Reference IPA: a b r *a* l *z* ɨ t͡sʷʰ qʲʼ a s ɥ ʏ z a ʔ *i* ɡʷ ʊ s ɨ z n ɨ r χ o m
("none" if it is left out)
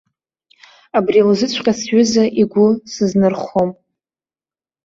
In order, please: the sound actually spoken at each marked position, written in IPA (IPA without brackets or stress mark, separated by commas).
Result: i, z, i